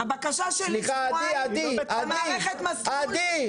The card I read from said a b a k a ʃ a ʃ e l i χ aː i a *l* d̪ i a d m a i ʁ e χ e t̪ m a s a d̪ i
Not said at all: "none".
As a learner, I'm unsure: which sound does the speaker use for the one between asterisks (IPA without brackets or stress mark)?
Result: none